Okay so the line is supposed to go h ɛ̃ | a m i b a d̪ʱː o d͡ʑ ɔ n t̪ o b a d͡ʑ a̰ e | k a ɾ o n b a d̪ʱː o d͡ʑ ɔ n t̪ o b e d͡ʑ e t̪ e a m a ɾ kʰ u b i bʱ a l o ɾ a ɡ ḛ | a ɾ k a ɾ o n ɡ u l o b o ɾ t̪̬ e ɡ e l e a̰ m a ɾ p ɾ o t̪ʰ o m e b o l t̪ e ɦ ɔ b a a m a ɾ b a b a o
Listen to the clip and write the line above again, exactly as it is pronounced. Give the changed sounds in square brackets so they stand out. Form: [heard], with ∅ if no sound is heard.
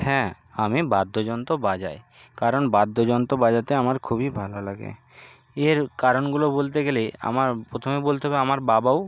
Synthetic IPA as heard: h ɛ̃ | a m i b a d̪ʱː o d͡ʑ ɔ n t̪ o b a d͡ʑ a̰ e | k a ɾ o n b a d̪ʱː o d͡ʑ ɔ n t̪ o b [a] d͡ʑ [a] t̪ e a m a ɾ kʰ u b i bʱ a l o [l] a ɡ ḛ | [e] ɾ k a ɾ o n ɡ u l o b o [l] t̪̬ e ɡ e l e a̰ m a ɾ p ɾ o t̪ʰ o m e b o l t̪ e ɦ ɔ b [e] a m a ɾ b a b a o

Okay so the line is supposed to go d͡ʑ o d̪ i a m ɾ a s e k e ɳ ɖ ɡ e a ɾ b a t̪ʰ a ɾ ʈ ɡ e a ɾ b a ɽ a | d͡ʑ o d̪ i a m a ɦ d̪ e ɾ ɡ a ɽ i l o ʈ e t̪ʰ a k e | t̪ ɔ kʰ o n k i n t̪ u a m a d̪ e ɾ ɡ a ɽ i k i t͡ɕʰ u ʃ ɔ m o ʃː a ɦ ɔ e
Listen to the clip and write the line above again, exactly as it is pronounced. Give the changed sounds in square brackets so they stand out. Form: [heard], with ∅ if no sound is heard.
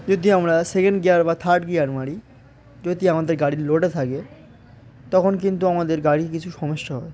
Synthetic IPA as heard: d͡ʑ o d̪ i a m ɾ a s e k e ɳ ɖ ɡ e a ɾ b a t̪ʰ a ɾ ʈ ɡ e a ɾ [m] a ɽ [i] | d͡ʑ o d̪ i a m a [∅] d̪ e ɾ ɡ a ɽ i l o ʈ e t̪ʰ a k e | t̪ ɔ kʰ o n k i n t̪ u a m a d̪ e ɾ ɡ a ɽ i k i t͡ɕʰ u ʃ ɔ m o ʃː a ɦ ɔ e

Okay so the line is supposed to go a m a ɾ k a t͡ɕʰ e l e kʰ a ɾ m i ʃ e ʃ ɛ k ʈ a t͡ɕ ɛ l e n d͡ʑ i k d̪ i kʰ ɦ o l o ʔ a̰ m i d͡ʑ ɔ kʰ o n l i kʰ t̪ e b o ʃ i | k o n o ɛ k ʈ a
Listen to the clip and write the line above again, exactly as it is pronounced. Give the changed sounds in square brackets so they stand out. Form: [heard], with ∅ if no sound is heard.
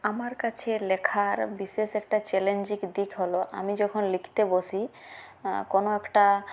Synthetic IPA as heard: a m a ɾ k a t͡ɕʰ e l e kʰ a ɾ [b] i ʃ e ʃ ɛ k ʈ a t͡ɕ ɛ l e n d͡ʑ i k d̪ i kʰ ɦ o l o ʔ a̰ m i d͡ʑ ɔ kʰ o n l i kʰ t̪ e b o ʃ i | k o n o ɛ k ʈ a

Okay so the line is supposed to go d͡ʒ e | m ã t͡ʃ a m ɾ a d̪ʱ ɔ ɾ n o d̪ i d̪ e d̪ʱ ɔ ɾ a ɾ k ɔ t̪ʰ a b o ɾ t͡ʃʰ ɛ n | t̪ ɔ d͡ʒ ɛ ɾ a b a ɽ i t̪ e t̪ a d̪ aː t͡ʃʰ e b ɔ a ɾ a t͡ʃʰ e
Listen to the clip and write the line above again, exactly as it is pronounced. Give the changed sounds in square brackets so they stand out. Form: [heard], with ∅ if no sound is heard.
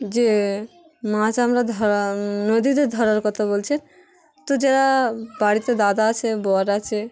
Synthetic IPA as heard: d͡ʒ e | m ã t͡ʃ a m ɾ a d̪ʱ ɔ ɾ n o d̪ i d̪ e d̪ʱ ɔ ɾ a ɾ k ɔ t̪ʰ a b o [l] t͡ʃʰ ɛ n | t̪ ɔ d͡ʒ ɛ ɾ a b a ɽ i t̪ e [d̪] a d̪ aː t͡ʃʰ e b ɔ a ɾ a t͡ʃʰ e

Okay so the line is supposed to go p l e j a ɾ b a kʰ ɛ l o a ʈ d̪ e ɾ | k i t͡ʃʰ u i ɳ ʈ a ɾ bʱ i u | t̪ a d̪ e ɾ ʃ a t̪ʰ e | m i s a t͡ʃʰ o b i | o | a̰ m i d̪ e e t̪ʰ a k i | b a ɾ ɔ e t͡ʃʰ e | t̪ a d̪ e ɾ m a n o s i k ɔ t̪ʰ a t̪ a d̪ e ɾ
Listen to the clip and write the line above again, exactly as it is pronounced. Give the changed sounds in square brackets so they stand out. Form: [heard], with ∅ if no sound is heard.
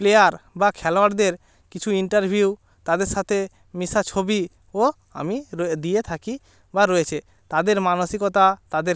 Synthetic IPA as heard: p l e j a ɾ b a kʰ ɛ l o a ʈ d̪ e ɾ | k i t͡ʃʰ u i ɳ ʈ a ɾ bʱ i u | t̪ a d̪ e ɾ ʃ a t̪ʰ e | m i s a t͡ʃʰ o b i | o | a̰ m i d̪ [i] e t̪ʰ a k i | b a ɾ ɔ e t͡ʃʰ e | t̪ a d̪ e ɾ m a n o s i k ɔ [t̪] a t̪ a d̪ e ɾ

